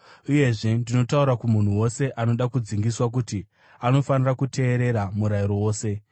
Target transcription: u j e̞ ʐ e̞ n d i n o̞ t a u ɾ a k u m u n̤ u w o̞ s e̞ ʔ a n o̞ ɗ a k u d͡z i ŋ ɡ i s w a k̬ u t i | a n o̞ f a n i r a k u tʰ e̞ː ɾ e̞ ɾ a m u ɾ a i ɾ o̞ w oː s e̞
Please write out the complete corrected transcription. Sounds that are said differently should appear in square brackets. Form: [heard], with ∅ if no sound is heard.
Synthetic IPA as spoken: u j e̞ ʐ e̞ n d i n o̞ t a u ɾ a k u m u n̤ u w o̞ s e̞ ʔ a n o̞ ɗ a k u d͡z i ŋ ɡ i s w a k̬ u t i | a n o̞ f a n i r a k u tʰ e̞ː ɾ e̞ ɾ a m u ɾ a i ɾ o̞ w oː s e̞